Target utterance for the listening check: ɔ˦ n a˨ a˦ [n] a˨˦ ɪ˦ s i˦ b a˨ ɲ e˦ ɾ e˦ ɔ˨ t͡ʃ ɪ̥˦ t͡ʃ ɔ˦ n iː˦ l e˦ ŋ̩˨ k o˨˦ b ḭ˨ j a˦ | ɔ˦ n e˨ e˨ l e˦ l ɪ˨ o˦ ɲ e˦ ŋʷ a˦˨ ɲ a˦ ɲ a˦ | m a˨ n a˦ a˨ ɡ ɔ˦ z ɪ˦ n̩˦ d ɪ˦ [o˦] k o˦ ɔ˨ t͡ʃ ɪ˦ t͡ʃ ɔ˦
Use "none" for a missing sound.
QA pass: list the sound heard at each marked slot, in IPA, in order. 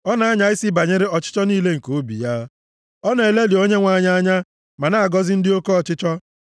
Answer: ɲ, o˦

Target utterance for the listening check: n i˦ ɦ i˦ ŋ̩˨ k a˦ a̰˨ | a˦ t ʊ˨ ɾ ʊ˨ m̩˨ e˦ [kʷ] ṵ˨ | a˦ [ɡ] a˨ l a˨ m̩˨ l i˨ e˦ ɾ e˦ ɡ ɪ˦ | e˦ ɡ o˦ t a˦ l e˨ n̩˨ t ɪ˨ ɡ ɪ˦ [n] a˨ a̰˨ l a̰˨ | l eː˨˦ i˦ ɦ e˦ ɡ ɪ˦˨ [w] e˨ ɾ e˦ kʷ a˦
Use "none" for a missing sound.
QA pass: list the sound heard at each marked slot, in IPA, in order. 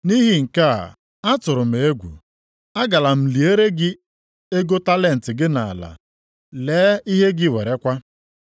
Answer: ɡʷ, ɡ, n, w

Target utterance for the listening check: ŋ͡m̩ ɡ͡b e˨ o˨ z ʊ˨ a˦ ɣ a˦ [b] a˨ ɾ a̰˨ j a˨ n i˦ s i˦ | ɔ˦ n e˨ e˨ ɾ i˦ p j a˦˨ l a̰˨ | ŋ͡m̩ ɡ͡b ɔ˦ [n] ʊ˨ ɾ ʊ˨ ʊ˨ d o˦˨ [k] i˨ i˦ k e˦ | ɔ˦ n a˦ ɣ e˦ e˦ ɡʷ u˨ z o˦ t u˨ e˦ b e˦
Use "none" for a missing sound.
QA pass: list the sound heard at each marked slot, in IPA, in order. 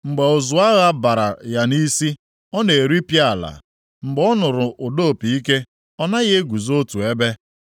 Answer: b, n, p

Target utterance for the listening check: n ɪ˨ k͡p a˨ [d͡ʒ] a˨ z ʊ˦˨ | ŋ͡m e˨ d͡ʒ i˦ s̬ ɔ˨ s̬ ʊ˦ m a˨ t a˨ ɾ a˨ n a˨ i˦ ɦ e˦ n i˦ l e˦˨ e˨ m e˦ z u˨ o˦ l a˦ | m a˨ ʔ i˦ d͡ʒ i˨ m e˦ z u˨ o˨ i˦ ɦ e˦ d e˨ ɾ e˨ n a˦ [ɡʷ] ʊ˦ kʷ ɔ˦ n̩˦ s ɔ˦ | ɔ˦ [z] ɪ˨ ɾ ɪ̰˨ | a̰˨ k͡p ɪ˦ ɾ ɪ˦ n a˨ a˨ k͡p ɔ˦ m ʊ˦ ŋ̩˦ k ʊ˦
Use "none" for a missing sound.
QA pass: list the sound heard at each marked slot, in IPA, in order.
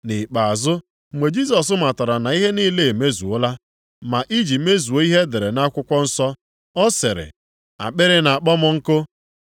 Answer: none, kʷ, s

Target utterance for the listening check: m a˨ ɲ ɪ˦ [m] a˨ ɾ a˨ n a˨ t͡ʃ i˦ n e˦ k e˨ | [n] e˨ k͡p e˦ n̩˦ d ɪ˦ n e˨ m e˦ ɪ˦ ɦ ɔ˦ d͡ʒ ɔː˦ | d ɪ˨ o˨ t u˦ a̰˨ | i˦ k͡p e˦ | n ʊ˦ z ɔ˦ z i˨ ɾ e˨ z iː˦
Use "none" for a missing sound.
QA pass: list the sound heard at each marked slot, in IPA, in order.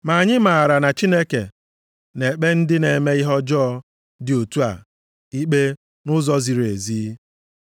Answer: m, n

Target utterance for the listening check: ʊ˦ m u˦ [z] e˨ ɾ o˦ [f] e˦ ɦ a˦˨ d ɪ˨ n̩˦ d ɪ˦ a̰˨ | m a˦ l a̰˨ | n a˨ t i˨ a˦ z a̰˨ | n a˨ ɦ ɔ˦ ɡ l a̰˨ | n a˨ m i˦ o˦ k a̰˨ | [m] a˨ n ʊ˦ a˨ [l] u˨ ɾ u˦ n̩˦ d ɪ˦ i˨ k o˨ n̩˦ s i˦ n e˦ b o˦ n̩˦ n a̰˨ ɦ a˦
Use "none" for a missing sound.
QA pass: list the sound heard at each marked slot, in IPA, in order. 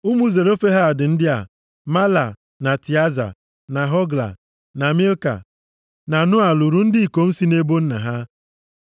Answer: z, f, n, l

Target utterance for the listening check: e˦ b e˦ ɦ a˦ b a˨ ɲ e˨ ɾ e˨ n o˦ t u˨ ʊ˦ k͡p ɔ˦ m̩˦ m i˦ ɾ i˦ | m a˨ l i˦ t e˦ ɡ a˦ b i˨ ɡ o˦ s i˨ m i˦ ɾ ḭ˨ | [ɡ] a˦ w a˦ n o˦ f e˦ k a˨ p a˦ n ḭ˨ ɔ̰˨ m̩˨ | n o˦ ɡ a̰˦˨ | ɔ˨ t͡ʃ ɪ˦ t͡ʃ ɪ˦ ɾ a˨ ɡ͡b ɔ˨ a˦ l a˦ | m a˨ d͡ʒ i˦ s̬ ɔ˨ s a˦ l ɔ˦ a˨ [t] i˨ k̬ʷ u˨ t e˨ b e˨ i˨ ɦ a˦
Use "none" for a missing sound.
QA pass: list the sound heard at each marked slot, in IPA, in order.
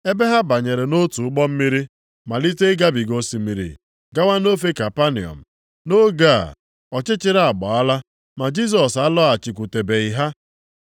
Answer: ɡ, t͡ʃ

